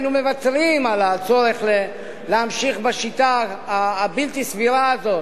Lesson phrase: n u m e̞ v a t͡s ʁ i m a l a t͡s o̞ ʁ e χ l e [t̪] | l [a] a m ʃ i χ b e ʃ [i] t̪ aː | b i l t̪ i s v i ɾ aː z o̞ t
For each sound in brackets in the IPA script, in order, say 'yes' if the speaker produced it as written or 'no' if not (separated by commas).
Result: no, no, yes